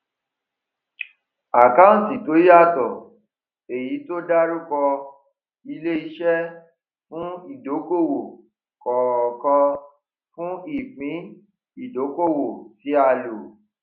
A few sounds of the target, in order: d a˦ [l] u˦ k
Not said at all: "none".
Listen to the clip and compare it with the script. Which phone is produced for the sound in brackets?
ɾ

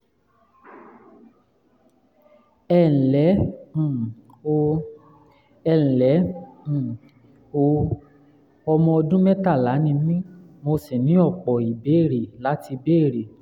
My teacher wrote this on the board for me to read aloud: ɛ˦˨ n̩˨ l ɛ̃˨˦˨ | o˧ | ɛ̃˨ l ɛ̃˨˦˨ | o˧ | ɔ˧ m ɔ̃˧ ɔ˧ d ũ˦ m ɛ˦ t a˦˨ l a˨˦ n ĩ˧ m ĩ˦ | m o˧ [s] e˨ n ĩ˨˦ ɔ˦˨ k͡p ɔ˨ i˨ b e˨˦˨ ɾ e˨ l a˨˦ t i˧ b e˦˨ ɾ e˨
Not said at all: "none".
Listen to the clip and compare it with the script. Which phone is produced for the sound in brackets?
s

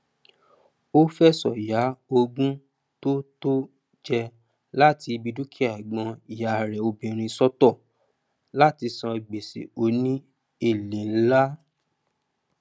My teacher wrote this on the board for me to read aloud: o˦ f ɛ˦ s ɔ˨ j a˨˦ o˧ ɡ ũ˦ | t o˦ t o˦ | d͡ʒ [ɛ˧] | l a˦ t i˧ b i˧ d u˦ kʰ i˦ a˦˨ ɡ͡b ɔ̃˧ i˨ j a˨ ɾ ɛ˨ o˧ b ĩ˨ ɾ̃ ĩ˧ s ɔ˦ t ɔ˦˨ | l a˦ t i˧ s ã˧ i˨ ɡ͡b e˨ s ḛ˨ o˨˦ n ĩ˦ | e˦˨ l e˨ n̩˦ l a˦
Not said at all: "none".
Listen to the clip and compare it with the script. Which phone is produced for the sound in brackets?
ɛ˧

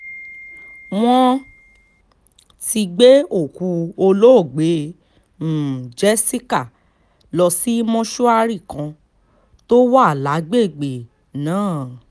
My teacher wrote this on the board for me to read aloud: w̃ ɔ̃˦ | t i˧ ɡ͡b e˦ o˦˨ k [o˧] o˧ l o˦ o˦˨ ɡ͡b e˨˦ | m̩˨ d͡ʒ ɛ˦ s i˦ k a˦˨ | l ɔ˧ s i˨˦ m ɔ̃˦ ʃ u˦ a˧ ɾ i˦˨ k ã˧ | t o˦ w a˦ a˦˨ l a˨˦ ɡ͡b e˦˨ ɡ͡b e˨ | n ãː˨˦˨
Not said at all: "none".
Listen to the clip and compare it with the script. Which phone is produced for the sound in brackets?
u˧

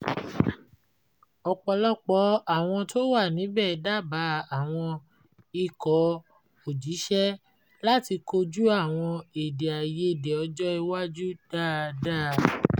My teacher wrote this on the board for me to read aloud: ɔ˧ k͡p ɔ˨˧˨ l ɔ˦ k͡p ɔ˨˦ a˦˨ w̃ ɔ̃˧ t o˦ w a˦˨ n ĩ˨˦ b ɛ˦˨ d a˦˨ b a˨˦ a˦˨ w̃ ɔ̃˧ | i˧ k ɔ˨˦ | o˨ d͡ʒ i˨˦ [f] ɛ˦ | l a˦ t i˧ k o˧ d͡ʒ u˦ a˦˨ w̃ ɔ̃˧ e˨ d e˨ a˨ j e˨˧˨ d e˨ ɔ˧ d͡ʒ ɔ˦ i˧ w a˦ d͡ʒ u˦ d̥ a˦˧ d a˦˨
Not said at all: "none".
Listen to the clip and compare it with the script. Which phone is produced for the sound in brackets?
ʃ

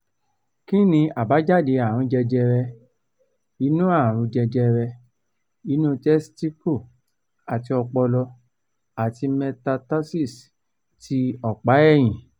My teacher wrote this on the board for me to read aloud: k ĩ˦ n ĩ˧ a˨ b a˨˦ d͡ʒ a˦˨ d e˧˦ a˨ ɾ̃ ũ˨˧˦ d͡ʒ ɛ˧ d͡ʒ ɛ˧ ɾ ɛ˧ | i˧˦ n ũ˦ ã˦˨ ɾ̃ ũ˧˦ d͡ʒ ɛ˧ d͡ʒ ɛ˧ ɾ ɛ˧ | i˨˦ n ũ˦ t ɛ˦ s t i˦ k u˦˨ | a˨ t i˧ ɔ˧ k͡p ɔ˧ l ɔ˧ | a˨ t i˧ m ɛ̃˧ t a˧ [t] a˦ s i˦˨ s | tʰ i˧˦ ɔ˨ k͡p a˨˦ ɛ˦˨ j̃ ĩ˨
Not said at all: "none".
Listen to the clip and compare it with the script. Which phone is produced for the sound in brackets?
t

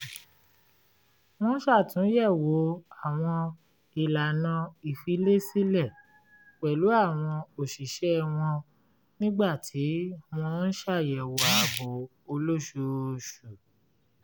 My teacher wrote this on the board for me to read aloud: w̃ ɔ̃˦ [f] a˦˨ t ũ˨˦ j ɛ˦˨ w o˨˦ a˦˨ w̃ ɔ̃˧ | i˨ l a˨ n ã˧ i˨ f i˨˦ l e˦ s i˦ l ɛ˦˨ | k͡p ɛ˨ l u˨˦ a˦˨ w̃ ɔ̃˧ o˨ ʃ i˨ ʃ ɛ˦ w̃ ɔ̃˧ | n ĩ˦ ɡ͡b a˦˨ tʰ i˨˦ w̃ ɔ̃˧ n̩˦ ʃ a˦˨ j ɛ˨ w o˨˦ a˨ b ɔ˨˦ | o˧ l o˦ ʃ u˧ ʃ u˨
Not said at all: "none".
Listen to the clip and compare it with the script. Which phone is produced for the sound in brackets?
ʃ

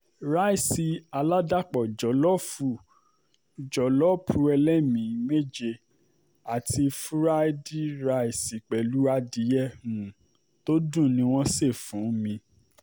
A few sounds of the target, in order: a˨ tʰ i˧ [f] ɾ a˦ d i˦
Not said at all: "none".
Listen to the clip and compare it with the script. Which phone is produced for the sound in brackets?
f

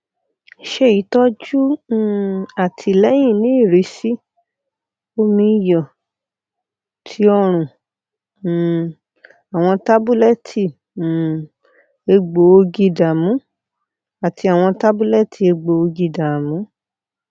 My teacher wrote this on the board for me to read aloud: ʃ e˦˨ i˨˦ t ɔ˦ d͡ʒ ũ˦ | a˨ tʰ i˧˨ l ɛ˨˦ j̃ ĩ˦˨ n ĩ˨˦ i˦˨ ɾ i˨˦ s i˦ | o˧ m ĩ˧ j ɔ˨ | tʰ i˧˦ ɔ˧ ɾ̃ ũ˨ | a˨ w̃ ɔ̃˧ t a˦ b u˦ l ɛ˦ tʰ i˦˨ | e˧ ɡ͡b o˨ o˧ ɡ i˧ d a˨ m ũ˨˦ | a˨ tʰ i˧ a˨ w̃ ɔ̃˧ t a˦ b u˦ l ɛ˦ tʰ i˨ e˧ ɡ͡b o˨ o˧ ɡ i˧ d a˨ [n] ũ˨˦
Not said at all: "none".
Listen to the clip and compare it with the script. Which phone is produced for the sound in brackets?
m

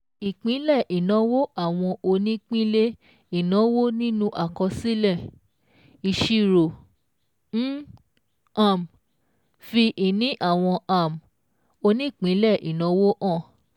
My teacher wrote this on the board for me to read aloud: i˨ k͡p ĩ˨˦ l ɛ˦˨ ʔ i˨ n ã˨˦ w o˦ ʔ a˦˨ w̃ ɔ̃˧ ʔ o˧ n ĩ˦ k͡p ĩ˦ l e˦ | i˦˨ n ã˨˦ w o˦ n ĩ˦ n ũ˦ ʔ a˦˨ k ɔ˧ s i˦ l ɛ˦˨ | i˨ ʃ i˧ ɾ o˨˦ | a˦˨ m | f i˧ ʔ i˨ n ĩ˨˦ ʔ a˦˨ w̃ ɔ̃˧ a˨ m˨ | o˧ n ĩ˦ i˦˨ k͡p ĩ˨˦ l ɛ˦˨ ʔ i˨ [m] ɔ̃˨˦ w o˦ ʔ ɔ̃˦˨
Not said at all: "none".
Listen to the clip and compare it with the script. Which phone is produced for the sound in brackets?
n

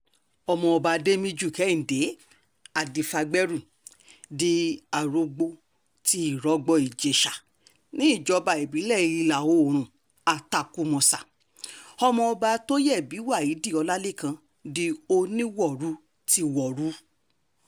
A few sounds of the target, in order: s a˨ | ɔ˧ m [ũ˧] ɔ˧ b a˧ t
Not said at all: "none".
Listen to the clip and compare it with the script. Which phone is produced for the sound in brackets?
ɔ̃˧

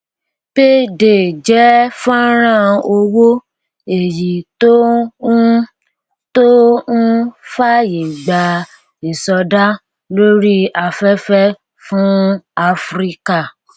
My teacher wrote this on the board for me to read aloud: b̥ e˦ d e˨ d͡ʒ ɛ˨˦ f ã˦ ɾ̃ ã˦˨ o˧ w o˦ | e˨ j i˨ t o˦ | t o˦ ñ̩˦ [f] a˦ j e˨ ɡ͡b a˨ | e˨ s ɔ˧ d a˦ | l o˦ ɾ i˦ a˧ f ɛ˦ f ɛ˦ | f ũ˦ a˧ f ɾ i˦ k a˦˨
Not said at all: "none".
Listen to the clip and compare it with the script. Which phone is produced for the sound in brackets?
f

